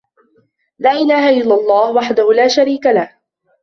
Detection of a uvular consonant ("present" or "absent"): absent